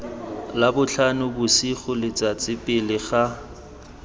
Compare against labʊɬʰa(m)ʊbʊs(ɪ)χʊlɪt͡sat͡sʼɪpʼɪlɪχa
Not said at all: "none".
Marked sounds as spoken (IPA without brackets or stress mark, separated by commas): n, i